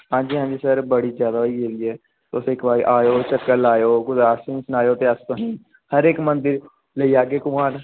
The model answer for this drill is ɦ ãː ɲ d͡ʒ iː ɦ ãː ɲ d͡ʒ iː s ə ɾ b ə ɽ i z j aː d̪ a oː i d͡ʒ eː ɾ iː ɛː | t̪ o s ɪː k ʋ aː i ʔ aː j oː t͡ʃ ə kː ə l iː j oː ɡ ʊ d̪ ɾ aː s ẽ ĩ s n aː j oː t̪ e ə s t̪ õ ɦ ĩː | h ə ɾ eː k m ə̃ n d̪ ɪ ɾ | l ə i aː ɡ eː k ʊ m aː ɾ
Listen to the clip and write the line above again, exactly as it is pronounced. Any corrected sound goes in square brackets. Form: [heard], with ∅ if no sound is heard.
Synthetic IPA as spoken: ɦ ãː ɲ d͡ʒ iː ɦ ãː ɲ d͡ʒ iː s ə ɾ b ə ɽ i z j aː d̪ a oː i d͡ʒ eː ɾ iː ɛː | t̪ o s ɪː k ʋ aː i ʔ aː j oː t͡ʃ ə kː ə l [aː] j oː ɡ ʊ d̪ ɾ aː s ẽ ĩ s n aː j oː t̪ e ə s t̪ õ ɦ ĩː | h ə ɾ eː k m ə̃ n d̪ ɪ ɾ | l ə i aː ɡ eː k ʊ m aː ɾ

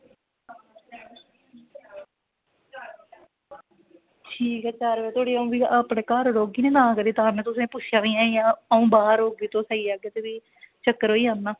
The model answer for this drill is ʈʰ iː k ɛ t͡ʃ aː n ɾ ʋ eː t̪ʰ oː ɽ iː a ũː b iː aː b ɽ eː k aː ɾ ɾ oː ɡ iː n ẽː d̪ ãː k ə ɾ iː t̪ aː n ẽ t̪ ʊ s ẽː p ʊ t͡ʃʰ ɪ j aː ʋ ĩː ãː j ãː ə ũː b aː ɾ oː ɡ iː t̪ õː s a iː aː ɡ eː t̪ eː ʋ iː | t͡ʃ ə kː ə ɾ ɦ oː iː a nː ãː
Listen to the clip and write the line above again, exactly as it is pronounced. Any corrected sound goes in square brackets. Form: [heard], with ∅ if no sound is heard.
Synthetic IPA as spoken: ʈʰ iː k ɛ t͡ʃ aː [∅] ɾ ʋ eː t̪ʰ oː ɽ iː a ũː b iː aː [p] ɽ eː k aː ɾ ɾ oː ɡ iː n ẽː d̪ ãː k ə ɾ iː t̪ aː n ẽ t̪ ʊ s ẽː p ʊ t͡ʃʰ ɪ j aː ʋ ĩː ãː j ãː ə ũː b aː ɾ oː ɡ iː t̪ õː s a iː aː ɡ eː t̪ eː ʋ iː | t͡ʃ ə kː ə ɾ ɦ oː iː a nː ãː

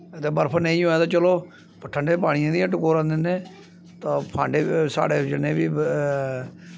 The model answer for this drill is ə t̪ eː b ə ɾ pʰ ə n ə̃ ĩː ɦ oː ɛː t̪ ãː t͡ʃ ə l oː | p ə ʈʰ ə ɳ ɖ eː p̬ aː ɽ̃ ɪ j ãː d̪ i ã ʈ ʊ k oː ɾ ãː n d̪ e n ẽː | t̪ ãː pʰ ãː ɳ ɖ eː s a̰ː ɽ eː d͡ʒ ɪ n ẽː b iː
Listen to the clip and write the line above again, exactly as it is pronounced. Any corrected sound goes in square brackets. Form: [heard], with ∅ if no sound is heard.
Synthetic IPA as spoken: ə t̪ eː b ə ɾ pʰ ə n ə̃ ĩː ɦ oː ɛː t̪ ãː t͡ʃ ə l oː | p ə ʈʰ ə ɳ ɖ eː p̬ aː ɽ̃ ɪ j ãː d̪ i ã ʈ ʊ k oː ɾ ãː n d̪ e n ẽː | t̪ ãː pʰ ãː ɳ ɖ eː s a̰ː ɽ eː d͡ʒ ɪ n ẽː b iː

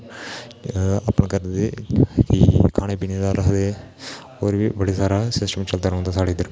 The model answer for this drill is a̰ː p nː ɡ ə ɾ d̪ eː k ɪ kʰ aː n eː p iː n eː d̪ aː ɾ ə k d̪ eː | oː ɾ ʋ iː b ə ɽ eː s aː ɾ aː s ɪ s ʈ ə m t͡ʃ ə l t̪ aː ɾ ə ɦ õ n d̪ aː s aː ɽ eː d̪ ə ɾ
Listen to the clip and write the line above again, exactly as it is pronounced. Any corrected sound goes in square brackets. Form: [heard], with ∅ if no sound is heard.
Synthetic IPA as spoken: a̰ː p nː [k] ə ɾ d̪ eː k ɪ kʰ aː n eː p iː n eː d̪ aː ɾ ə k d̪ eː | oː ɾ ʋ iː b ə ɽ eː s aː ɾ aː s ɪ s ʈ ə m t͡ʃ ə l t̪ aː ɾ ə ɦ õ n d̪ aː s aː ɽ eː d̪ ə ɾ

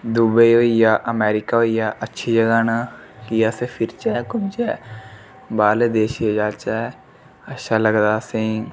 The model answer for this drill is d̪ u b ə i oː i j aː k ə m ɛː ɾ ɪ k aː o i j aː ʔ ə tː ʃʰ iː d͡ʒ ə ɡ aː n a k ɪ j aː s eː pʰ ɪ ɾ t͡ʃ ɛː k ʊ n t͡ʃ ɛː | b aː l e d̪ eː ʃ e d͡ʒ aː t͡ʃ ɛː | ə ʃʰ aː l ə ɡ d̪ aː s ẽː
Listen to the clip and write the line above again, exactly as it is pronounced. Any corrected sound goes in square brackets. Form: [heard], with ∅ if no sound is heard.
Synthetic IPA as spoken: d̪ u b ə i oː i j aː [ʔ] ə m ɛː ɾ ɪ k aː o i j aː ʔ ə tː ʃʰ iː d͡ʒ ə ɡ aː n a k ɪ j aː s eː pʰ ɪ ɾ t͡ʃ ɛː k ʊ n t͡ʃ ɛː | b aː l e d̪ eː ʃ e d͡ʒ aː t͡ʃ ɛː | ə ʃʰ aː l ə ɡ d̪ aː s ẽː

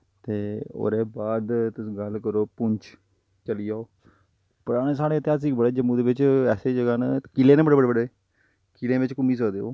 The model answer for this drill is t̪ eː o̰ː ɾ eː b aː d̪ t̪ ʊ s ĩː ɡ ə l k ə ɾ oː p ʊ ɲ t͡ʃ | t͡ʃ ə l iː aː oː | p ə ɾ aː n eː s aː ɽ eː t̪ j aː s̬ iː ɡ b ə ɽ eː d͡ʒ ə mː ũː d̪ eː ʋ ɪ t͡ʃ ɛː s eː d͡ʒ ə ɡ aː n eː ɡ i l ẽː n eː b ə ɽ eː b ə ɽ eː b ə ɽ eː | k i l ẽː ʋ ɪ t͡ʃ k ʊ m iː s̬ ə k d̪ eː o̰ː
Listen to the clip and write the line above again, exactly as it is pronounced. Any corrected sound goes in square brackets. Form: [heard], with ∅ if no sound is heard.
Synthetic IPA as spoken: t̪ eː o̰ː ɾ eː b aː d̪ t̪ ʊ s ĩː ɡ ə l k ə ɾ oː p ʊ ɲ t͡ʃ | t͡ʃ ə l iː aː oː | p ə ɾ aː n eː s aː ɽ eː t̪ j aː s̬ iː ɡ b ə ɽ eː d͡ʒ ə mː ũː d̪ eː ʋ ɪ t͡ʃ ɛː s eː d͡ʒ ə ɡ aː n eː [k] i l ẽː n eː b ə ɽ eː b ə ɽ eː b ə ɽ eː | k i l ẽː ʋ ɪ t͡ʃ k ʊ m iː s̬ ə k d̪ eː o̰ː

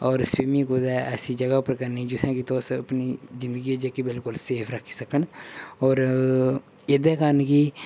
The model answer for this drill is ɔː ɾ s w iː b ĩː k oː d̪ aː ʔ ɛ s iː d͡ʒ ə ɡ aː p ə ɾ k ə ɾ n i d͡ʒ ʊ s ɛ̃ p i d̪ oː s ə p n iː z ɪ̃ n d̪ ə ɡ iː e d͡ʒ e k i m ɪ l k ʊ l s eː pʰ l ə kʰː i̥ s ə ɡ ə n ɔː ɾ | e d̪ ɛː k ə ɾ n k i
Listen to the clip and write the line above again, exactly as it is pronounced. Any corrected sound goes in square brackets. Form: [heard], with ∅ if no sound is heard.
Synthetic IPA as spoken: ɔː ɾ s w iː [m] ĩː k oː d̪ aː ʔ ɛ s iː d͡ʒ ə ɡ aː p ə ɾ k ə ɾ n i d͡ʒ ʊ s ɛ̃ [k] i [t̪] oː s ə p n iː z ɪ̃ n d̪ ə ɡ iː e d͡ʒ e k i [b] ɪ l k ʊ l s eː pʰ [ɾ] ə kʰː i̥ s ə [k] ə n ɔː ɾ | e d̪ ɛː k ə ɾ n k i

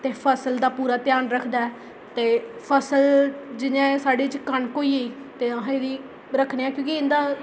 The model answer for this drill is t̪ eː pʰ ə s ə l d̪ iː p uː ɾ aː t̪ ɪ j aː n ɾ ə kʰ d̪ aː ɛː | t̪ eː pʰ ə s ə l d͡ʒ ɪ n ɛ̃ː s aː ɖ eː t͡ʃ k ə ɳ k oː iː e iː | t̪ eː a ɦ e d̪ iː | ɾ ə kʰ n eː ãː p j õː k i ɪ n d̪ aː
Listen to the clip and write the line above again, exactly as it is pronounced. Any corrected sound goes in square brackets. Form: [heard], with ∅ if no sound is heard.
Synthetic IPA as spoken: t̪ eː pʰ ə s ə l d̪ [aː] p uː ɾ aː t̪ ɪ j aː n ɾ ə kʰ d̪ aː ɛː | t̪ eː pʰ ə s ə l d͡ʒ ɪ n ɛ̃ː s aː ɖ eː t͡ʃ k ə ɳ k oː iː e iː | t̪ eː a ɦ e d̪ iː | ɾ ə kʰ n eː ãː [k] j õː k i ɪ n d̪ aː

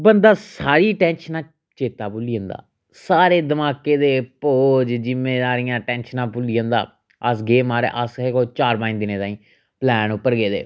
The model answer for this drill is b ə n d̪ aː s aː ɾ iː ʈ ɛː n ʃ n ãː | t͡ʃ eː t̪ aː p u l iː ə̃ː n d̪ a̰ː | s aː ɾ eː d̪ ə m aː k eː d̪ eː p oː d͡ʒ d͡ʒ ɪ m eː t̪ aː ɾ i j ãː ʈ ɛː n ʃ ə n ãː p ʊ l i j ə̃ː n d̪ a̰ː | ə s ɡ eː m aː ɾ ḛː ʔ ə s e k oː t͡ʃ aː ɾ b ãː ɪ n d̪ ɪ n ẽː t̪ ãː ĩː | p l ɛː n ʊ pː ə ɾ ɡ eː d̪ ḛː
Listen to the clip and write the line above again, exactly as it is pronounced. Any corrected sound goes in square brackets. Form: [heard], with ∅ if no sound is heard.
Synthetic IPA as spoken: b ə n d̪ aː s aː ɾ iː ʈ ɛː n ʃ n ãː | t͡ʃ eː t̪ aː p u l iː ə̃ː n d̪ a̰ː | s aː ɾ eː d̪ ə m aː k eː d̪ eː p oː d͡ʒ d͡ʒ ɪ m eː [d̪] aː ɾ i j ãː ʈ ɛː n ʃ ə n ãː p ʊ l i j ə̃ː n d̪ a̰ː | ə s ɡ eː m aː ɾ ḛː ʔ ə s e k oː t͡ʃ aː ɾ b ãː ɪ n d̪ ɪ n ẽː t̪ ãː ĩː | p l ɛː n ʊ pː ə ɾ ɡ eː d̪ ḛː

